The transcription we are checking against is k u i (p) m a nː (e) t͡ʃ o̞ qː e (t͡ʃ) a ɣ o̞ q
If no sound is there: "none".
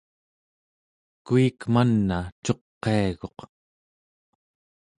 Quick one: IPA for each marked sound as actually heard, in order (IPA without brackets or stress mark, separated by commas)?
k, a, none